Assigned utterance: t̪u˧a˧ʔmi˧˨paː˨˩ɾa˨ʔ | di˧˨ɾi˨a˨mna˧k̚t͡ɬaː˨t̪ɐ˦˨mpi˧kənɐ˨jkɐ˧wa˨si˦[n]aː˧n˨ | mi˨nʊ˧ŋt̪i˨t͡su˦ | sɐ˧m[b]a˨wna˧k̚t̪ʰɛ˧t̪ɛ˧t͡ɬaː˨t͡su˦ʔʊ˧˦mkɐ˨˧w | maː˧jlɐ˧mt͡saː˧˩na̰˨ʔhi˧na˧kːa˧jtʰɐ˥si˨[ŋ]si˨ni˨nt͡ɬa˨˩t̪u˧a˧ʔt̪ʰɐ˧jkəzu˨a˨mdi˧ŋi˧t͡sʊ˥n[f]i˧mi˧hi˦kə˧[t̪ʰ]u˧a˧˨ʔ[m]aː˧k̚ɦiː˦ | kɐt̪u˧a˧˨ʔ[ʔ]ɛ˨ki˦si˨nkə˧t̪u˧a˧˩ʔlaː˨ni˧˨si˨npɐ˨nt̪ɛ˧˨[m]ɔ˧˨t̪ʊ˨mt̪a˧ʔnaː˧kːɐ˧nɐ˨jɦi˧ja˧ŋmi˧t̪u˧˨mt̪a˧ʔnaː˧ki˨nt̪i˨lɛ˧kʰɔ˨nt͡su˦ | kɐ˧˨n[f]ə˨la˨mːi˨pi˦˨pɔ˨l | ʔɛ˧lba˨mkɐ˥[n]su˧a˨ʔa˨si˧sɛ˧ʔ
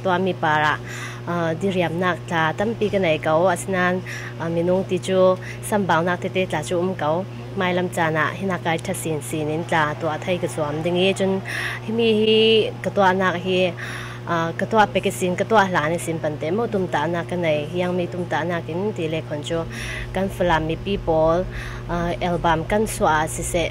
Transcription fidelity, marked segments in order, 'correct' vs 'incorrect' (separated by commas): correct, correct, incorrect, incorrect, incorrect, incorrect, incorrect, correct, correct, correct